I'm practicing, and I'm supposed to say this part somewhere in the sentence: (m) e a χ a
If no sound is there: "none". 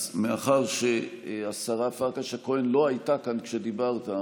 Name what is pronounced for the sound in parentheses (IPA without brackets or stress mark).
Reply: m